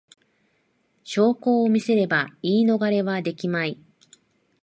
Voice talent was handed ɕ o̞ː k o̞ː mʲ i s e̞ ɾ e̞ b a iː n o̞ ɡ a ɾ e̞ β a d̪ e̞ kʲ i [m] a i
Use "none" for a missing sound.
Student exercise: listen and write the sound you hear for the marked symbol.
m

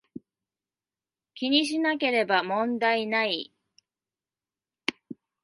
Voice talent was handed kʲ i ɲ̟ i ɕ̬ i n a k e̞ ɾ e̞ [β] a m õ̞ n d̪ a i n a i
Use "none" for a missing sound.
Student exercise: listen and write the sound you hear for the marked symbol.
b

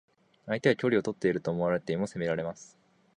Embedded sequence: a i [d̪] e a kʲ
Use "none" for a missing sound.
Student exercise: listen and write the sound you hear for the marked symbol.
t̪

